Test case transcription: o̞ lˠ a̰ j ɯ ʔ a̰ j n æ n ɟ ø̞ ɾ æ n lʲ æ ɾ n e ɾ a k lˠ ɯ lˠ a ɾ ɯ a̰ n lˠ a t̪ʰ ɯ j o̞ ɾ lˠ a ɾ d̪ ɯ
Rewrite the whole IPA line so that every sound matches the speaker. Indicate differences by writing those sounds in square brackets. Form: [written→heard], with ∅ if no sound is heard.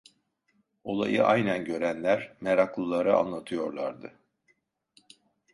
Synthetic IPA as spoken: o̞ lˠ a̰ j ɯ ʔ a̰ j n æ n ɟ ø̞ ɾ æ n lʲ æ ɾ [n→m] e ɾ a k lˠ ɯ lˠ a ɾ ɯ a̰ n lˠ a t̪ʰ ɯ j o̞ ɾ lˠ a ɾ d̪ ɯ